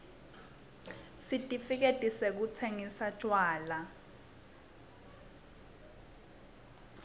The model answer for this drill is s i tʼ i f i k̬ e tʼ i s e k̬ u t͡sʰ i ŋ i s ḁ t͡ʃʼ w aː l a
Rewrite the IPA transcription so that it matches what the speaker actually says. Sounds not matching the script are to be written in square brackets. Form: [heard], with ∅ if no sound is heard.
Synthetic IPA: s i tʼ i f i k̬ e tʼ i s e k̬ u t͡sʰ [e] ŋ i s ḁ t͡ʃʼ w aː l a